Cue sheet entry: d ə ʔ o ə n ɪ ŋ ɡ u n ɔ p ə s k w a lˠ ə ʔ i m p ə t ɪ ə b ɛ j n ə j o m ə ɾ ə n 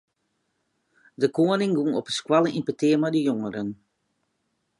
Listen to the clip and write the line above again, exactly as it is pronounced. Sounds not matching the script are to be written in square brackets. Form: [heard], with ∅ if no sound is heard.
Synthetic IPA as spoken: d ə [k] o ə n ɪ ŋ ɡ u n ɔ p ə s k w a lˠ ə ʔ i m p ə t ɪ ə [m] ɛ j [d] ə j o [ŋ] ə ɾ ə n